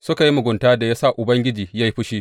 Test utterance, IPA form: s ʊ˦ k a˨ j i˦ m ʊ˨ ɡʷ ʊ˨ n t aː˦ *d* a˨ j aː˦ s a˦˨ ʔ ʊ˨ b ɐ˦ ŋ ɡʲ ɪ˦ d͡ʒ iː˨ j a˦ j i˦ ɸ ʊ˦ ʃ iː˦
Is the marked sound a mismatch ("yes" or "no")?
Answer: no